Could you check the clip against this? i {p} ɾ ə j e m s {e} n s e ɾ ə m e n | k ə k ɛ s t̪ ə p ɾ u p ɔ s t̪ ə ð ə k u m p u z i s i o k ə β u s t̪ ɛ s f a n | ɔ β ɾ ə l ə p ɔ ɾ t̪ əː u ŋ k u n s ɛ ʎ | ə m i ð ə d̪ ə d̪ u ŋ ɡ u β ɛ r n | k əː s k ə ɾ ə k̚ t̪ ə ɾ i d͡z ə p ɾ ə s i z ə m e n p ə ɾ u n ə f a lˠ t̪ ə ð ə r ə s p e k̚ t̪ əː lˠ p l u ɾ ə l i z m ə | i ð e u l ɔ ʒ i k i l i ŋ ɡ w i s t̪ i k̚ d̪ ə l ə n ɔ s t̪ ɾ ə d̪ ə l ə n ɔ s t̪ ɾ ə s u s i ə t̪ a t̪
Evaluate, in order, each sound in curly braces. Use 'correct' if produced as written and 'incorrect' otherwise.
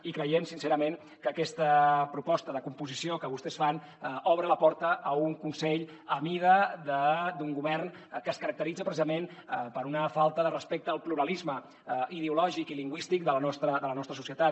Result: incorrect, incorrect

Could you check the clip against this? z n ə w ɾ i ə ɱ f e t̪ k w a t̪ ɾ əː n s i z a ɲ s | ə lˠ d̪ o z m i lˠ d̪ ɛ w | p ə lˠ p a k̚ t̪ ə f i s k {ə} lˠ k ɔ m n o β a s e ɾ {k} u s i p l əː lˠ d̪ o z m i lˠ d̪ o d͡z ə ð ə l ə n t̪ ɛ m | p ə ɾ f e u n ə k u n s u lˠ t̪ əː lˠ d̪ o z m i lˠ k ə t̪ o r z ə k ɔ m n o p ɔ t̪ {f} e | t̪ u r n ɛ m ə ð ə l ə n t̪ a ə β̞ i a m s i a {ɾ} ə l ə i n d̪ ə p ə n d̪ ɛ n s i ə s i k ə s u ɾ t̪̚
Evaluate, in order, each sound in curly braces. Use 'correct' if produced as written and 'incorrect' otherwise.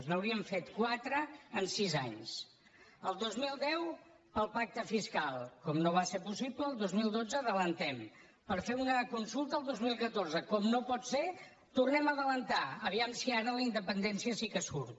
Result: incorrect, incorrect, incorrect, correct

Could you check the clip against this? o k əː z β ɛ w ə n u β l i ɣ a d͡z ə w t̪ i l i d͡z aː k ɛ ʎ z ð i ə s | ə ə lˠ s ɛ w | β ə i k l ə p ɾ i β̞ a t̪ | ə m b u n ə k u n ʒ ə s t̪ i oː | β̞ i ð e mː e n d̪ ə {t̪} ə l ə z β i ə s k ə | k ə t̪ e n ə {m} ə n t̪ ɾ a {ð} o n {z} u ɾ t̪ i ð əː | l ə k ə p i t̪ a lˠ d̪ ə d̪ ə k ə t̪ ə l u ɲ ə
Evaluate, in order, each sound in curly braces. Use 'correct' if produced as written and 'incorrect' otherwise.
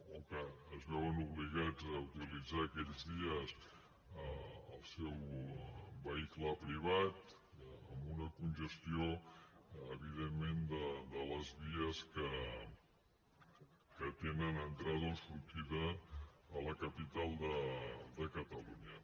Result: incorrect, incorrect, correct, incorrect

